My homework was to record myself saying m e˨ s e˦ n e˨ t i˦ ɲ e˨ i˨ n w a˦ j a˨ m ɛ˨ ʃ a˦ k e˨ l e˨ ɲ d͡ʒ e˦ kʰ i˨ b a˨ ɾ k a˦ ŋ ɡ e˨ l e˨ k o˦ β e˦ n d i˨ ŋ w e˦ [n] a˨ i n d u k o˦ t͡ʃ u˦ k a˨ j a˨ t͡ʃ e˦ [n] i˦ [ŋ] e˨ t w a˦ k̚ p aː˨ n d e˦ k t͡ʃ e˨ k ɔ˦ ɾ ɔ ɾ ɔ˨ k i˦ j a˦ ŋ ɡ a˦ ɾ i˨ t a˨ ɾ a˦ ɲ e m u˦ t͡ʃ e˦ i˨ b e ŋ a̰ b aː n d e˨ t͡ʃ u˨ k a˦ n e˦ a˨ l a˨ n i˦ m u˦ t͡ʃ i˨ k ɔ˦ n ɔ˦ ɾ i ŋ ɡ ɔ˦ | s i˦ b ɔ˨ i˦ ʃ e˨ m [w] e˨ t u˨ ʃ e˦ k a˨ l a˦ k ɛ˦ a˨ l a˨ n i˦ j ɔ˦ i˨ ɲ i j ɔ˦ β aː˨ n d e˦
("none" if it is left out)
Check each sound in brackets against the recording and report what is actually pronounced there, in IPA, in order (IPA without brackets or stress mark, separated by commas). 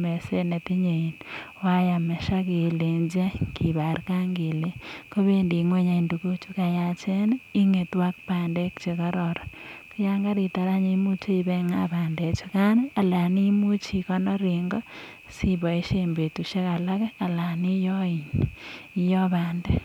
ɲ, n, ŋ, b